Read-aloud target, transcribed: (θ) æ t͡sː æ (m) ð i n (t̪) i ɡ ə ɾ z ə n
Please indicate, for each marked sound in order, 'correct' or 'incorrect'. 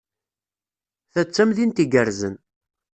correct, correct, correct

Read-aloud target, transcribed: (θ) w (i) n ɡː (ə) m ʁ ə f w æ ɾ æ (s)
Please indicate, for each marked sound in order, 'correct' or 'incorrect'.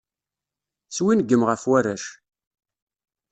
incorrect: s, correct, correct, incorrect: ʃ

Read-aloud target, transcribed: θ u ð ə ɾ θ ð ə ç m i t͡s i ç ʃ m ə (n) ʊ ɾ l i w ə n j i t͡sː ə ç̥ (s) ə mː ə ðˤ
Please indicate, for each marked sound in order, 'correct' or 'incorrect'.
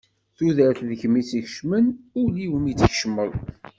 correct, incorrect: ʃ

